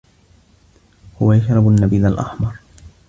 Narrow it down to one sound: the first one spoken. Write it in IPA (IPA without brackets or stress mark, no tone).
h